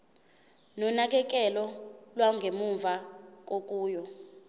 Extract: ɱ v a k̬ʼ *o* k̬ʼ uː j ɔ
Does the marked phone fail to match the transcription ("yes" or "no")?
no